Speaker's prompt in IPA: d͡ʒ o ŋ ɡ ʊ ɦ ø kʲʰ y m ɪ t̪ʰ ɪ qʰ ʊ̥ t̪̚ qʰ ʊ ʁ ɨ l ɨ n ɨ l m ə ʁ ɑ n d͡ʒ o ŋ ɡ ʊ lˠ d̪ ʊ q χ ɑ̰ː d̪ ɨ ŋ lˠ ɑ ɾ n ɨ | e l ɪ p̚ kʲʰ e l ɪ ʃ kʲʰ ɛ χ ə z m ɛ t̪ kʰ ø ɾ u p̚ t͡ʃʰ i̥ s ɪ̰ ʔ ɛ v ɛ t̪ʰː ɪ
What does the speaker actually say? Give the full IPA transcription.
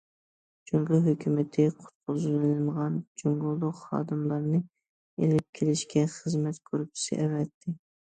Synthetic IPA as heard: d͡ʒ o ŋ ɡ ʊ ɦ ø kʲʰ y m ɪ t̪ʰ ɪ qʰ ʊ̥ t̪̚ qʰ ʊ z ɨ l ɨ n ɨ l m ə ʁ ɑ n d͡ʒ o ŋ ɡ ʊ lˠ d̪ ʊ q χ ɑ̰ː d̪ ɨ m lˠ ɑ ɾ n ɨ | e l ɪ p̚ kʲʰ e l ɪ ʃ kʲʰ ɛ χ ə z m ɛ t̪ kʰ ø ɾ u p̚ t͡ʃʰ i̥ s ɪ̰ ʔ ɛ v ɛ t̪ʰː ɪ

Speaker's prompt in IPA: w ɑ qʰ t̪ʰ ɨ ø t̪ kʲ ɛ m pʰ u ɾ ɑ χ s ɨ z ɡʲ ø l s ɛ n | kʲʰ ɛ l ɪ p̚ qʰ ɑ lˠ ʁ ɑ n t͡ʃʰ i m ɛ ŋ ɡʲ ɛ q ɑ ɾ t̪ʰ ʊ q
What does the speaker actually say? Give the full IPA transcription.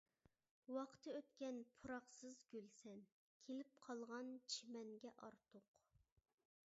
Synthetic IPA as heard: w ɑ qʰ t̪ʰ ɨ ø t̪ kʲ ɛ n pʰ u ɾ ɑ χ s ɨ z ɡʲ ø l s ɛ n | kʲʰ e l ɪ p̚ qʰ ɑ lˠ ʁ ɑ n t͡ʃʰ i m ɛ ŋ ɡʲ ɛ ʔ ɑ ɾ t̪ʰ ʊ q

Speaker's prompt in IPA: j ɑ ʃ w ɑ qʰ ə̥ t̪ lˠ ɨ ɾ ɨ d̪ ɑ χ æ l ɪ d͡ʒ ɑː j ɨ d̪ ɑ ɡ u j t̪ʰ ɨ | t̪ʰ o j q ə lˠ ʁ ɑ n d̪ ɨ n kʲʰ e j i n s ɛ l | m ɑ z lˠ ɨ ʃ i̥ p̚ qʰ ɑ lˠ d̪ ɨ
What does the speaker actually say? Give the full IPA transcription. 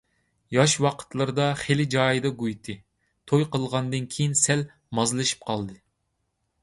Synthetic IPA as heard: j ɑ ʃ w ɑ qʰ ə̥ t̪ lˠ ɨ ɾ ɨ d̪ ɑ χ e l ɪ d͡ʒ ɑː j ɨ d̪ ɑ ɡ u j t̪ʰ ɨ | t̪ʰ o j q ə lˠ ʁ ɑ n d̪ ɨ n kʲʰ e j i n s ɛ l | m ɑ z lˠ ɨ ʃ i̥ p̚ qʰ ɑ lˠ d̪ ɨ

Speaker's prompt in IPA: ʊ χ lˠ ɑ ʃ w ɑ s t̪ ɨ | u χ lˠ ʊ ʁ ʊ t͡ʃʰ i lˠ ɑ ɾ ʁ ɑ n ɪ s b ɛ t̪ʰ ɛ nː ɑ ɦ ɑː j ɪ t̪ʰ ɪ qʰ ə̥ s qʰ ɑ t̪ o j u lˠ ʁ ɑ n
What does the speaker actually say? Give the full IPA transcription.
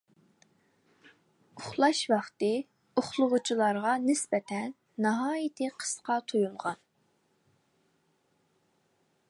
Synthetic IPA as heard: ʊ χ lˠ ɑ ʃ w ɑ χ t̪ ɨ | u χ lˠ ʊ ʁ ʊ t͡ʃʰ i lˠ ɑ ɾ ʁ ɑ n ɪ s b ɛ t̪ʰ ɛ nː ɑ ɦ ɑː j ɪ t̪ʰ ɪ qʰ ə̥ s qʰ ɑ t̪ʰ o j u lˠ ʁ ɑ n

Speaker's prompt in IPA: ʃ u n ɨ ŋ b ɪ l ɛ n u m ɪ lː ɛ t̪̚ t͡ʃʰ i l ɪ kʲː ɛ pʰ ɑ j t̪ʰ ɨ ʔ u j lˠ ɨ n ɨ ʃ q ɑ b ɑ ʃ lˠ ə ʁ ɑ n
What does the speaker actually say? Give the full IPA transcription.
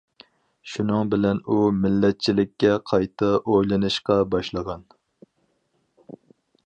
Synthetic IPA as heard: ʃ u n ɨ ŋ b ɪ l ɛ n u m ɪ lː ɛ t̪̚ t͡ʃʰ i l ɪ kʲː ɛ qʰ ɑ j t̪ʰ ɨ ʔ o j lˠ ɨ n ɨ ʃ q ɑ b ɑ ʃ lˠ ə ʁ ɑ n

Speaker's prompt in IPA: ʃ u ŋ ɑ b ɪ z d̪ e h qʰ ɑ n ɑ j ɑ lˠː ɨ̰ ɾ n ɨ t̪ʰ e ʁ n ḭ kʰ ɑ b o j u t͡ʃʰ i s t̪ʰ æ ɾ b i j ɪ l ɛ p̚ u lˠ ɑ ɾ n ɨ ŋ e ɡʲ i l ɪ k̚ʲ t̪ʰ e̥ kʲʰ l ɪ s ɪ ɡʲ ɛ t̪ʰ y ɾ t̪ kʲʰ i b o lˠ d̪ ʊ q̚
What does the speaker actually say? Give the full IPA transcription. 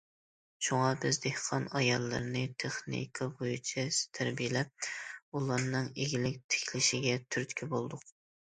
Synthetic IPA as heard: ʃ u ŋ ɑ b ɪ z d̪ e h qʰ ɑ n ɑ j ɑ lˠː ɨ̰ ɾ n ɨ t̪ʰ e χ n ḭ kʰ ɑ b o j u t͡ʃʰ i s t̪ʰ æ ɾ b i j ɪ l ɛ p̚ u lˠ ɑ ɾ n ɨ ŋ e ɡʲ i l ɪ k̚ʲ t̪ʰ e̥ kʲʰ l ɪ ʃ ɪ ɡʲ ɛ t̪ʰ y ɾ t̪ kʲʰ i b o lˠ d̪ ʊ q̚

